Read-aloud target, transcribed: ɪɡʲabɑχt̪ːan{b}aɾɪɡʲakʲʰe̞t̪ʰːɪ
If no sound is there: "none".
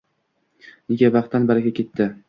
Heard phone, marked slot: b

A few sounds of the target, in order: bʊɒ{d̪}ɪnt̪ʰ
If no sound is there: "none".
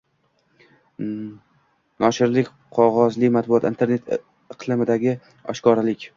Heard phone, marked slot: t̪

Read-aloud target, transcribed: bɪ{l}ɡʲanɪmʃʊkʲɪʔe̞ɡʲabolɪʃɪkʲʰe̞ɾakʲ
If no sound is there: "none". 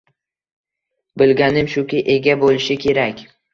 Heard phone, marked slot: l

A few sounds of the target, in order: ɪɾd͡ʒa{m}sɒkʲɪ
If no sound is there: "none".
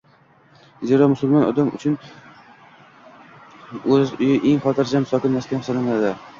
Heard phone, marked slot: m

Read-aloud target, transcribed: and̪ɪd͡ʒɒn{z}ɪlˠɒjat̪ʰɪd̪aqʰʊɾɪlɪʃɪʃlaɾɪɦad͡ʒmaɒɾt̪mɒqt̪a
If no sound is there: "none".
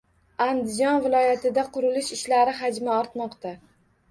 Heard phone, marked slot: v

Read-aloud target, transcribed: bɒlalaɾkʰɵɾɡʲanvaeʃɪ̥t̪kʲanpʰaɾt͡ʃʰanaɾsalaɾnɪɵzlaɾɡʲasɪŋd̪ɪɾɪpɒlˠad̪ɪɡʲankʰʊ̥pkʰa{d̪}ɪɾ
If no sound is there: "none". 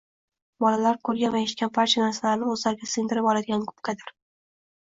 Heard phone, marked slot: d̪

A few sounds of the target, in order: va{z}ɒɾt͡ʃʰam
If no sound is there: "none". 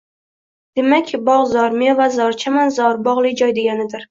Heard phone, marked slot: z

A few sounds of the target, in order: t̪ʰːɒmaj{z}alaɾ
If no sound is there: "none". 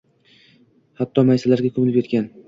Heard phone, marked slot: s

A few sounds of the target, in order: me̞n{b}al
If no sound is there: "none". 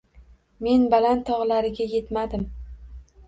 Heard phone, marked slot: b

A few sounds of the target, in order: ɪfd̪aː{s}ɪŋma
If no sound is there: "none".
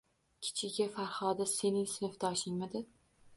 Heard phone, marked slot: ʃ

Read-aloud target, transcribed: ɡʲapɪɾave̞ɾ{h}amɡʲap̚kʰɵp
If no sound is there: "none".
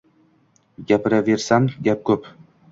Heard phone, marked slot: s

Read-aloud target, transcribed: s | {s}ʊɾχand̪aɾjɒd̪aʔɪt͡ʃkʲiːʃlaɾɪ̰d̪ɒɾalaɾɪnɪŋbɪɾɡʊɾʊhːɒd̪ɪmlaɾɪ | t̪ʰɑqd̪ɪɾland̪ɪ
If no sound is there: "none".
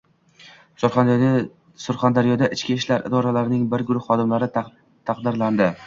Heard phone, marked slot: s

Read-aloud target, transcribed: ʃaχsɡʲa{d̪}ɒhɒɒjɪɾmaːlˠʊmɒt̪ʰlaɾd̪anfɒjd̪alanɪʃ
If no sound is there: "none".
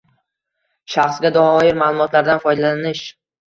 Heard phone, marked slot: d̪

